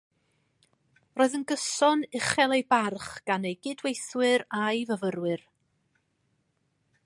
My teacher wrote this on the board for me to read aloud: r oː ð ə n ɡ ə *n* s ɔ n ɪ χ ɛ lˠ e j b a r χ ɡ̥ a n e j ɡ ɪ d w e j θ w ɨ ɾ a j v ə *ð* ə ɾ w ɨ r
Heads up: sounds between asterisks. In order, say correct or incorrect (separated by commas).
incorrect, incorrect